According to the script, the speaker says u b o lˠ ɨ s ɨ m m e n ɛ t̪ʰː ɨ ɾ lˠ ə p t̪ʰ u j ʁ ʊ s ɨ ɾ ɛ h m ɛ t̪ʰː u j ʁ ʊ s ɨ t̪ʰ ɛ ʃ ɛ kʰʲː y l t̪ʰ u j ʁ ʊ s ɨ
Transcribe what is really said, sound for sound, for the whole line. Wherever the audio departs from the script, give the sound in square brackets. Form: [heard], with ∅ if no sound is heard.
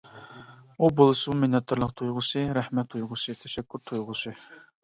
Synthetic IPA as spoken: u b o lˠ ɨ s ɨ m m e n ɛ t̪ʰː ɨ ɾ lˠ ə [q] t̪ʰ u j ʁ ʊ s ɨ ɾ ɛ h m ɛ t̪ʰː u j ʁ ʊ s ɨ t̪ʰ ɛ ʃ ɛ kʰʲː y [ɾ] t̪ʰ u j ʁ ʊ s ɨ